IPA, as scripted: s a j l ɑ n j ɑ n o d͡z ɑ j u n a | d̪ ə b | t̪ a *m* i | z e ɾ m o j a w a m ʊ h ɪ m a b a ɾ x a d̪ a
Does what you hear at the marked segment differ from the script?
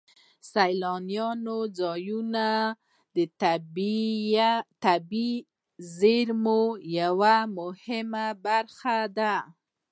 yes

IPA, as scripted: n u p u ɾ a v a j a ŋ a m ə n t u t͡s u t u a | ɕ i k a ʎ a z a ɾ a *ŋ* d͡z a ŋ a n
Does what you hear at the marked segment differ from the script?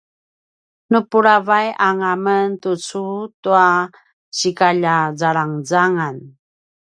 no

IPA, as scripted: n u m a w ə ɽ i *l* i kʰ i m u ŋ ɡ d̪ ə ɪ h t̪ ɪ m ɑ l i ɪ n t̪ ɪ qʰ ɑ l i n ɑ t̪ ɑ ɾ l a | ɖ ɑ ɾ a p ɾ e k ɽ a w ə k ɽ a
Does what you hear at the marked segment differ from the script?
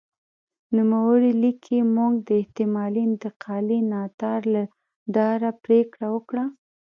no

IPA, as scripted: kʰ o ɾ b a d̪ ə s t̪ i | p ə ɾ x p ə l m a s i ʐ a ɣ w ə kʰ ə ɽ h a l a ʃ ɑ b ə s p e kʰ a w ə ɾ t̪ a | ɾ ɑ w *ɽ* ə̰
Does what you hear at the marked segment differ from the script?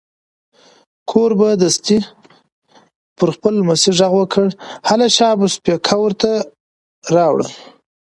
no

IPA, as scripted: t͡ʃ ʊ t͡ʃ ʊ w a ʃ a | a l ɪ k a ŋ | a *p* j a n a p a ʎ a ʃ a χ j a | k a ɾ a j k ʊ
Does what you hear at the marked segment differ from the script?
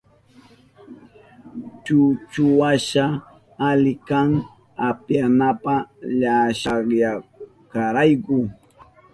no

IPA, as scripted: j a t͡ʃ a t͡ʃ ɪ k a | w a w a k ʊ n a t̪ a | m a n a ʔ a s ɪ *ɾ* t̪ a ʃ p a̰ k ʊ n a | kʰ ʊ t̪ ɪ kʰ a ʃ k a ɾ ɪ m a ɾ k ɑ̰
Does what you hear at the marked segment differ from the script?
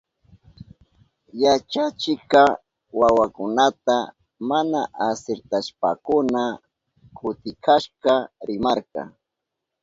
no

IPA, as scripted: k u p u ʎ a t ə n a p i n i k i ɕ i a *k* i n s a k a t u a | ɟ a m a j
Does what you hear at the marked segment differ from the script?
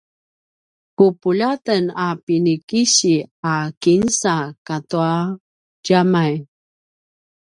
no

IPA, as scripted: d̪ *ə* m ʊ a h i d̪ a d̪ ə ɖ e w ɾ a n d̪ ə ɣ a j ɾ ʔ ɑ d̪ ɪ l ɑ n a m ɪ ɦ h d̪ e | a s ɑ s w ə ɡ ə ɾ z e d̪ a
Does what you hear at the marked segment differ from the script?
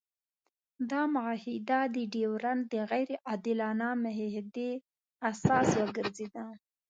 yes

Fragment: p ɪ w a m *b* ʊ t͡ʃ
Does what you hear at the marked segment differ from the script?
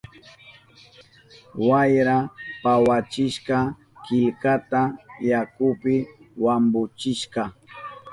no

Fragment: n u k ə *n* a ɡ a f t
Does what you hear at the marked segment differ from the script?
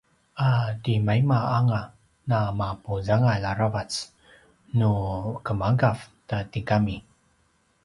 yes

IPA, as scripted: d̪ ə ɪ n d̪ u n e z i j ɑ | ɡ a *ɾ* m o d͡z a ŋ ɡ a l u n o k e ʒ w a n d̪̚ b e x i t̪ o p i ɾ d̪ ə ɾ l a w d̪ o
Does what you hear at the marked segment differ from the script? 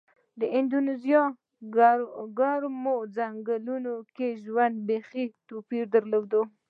no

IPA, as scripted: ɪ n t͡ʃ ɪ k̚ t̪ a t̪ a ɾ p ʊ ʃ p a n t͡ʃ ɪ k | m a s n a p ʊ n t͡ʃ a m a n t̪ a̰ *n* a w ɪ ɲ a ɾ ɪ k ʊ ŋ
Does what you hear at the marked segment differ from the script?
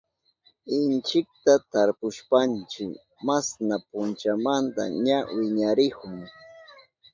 yes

